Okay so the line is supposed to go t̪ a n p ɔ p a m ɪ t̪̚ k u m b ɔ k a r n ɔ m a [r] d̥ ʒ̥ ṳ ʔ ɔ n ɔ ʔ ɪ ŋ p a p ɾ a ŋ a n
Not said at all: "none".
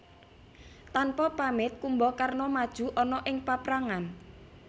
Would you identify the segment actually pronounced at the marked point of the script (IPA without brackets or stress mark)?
none